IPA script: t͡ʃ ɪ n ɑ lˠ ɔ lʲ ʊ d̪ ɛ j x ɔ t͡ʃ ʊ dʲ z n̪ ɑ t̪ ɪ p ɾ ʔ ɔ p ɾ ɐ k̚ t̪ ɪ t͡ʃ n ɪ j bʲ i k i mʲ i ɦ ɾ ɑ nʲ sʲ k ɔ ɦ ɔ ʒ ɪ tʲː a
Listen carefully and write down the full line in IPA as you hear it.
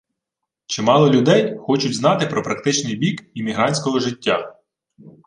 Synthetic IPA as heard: t͡ʃ ɪ m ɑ lˠ ɔ lʲ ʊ d̪ ɛ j x ɔ t͡ʃ ʊ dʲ z n̪ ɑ t̪ ɪ p ɾ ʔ ɔ p ɾ ɐ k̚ t̪ ɪ t͡ʃ n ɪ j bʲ i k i mʲ i ɦ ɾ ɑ nʲ sʲ k ɔ ɦ ɔ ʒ ɪ tʲː a